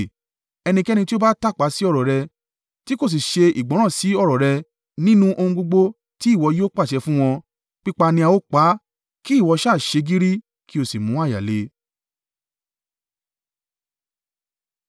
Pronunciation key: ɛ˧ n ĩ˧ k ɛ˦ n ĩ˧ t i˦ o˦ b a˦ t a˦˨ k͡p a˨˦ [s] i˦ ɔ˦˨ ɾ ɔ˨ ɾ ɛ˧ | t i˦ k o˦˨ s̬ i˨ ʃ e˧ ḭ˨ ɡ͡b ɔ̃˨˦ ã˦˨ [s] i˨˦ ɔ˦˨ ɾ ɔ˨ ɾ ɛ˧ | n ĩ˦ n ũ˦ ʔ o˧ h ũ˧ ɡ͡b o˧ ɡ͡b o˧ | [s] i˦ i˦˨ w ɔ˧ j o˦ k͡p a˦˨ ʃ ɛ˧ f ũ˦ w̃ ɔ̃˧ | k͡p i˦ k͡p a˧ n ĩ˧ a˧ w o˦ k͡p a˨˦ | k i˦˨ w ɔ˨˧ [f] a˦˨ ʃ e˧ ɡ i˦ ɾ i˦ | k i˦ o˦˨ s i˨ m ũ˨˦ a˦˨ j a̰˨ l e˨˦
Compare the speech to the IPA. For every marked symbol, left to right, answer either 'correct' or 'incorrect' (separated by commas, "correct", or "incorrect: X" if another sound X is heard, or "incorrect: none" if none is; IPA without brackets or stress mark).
correct, correct, incorrect: t, incorrect: ʃ